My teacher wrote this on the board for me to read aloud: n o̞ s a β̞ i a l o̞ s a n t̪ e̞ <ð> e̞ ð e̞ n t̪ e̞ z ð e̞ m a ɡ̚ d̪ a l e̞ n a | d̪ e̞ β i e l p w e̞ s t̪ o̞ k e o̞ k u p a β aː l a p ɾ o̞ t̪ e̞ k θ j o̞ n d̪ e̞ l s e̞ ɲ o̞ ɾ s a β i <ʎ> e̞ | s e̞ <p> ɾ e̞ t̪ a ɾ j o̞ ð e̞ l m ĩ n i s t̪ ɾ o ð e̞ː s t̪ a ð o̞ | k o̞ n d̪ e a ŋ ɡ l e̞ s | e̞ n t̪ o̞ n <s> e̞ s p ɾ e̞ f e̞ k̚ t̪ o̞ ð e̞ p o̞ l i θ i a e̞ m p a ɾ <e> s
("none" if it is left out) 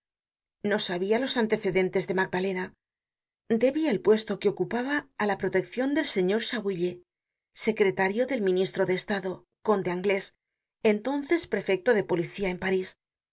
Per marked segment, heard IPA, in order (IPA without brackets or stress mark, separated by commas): θ, ʎ, k, θ, i